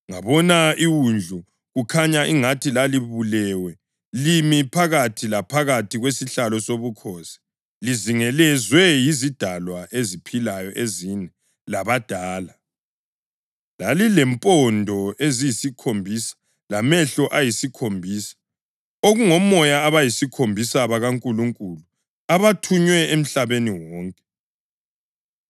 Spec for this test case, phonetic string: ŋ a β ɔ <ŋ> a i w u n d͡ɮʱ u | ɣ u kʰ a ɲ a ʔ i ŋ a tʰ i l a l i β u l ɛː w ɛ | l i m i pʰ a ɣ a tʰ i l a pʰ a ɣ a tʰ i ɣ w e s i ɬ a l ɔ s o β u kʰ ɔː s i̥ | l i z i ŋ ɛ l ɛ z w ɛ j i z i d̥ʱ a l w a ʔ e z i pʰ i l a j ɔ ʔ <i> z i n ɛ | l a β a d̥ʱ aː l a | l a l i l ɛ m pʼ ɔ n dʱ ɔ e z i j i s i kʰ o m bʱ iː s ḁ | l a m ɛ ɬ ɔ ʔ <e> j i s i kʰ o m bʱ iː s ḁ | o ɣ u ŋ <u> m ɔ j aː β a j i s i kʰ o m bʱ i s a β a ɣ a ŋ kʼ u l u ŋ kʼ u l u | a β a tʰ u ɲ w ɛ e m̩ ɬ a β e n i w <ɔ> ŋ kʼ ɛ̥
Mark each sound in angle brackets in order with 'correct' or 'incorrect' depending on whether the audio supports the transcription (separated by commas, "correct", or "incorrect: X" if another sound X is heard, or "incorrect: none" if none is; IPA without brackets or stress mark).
incorrect: n, incorrect: e, incorrect: a, incorrect: ɔ, incorrect: ɔː